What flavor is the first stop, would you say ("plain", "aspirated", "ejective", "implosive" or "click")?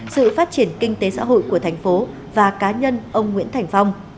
plain